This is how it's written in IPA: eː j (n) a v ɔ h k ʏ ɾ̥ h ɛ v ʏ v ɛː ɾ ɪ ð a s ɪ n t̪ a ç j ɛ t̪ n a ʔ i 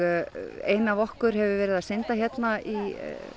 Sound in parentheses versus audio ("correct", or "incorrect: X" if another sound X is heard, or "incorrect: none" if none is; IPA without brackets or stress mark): correct